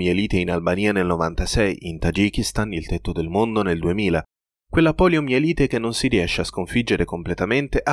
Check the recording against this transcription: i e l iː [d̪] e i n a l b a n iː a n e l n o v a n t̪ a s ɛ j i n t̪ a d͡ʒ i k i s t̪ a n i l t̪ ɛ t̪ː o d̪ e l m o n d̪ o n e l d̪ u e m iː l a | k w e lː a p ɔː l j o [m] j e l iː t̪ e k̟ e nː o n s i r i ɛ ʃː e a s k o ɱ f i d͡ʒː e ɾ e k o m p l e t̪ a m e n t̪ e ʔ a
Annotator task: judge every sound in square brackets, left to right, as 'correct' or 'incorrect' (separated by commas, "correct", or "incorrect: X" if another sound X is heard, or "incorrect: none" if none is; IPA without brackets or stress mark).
incorrect: t̪, correct